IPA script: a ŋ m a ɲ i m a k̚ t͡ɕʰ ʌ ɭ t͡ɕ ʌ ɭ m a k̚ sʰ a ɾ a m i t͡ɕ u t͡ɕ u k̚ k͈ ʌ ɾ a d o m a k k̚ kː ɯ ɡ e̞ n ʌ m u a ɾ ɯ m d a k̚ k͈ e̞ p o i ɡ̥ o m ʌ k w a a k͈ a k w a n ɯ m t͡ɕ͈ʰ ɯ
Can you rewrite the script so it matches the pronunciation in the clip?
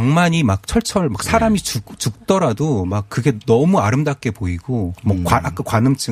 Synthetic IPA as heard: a ŋ m a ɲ i m a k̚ t͡ɕʰ ʌ ɭ t͡ɕʰ ʌ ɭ m a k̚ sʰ a ɾ a m i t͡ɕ u t͡ɕ u k̚ t͈ ʌ ɾ a d o m a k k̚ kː ɯ ɡ e̞ n ʌ m u a ɾ ɯ m d a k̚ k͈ e̞ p o i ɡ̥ o m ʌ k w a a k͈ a k w a n ɯ m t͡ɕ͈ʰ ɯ